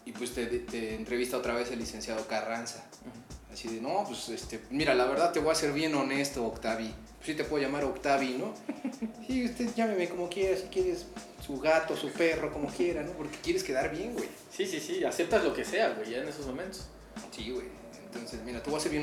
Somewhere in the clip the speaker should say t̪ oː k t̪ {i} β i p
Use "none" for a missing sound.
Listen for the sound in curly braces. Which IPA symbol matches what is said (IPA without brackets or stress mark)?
a